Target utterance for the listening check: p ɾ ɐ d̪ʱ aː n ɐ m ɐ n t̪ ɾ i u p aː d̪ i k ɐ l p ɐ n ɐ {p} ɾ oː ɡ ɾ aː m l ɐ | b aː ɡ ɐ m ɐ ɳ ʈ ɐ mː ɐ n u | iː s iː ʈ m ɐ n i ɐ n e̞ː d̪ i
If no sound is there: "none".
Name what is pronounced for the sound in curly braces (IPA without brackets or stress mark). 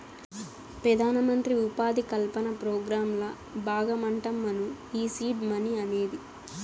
p